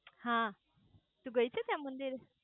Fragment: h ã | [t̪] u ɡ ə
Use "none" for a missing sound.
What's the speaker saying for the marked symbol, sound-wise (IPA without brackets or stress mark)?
t̪